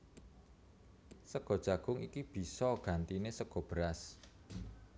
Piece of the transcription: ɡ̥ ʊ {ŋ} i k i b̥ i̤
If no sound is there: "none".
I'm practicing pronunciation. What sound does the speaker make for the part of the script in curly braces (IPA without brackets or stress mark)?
ŋ